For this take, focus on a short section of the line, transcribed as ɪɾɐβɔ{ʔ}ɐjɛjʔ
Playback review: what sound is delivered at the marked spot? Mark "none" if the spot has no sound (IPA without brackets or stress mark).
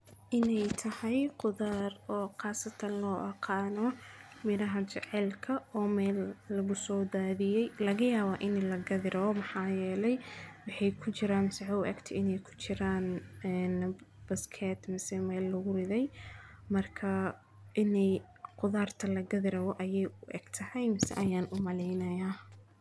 ʔ